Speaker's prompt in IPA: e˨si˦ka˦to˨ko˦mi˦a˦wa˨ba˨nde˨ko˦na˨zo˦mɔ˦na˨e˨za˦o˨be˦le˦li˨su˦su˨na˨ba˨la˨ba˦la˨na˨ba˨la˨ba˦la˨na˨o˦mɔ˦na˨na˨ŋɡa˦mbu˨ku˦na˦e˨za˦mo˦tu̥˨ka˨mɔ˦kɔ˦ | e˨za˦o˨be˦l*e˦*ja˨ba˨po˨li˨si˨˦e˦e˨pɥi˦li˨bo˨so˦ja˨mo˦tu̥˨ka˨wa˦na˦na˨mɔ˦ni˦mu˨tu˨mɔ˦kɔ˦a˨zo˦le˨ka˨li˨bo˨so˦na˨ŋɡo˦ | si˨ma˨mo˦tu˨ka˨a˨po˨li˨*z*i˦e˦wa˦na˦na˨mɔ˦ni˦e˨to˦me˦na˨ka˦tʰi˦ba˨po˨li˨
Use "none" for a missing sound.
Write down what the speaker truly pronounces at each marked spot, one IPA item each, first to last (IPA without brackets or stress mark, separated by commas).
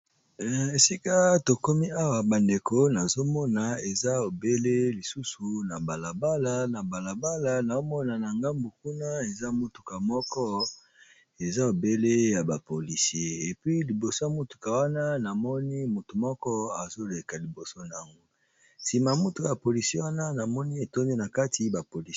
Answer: e˦, s